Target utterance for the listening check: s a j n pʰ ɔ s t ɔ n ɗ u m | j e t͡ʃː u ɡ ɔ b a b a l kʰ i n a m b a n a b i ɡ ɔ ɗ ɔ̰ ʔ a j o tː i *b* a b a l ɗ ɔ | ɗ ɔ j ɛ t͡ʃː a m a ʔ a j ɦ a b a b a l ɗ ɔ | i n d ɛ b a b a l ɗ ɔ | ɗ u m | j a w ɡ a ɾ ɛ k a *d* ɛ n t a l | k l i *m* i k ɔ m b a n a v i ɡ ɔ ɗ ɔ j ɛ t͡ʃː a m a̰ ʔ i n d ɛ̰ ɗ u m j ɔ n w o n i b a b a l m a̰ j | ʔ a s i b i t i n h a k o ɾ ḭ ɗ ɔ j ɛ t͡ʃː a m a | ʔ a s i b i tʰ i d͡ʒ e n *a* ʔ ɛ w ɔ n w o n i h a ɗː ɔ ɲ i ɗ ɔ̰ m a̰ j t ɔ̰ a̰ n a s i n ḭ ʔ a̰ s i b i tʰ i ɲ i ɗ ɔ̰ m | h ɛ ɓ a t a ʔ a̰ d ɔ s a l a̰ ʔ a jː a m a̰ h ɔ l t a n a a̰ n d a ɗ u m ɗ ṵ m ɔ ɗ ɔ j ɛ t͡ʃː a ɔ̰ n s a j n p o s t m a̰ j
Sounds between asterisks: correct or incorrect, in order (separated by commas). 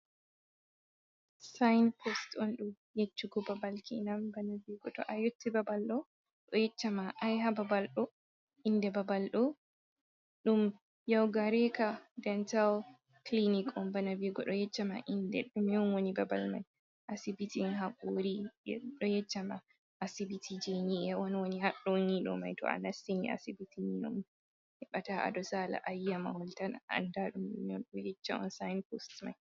correct, correct, incorrect, incorrect